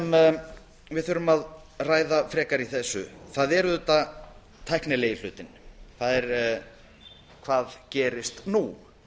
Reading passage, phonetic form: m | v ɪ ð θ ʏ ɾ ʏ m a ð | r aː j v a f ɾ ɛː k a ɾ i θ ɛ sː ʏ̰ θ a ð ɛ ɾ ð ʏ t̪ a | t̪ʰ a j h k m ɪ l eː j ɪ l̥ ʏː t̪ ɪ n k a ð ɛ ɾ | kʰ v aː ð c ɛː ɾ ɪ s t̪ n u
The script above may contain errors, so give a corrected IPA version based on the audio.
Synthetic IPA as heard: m | v ɪ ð θ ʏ ɾ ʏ m a ð | r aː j ð a f ɾ ɛː k a ɾ i θ ɛ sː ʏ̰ θ a ð ɛ ɾ ð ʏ t̪ a | t̪ʰ a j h k n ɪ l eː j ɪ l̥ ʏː t̪ ɪ n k a ð ɛ ɾ | kʰ v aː ð c ɛː ɾ ɪ s t̪ n u